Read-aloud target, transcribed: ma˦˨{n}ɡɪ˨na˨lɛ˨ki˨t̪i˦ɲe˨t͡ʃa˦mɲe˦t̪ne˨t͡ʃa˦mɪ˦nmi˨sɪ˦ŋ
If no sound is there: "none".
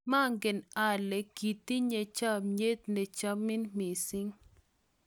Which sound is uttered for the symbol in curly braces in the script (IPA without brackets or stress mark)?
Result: ŋ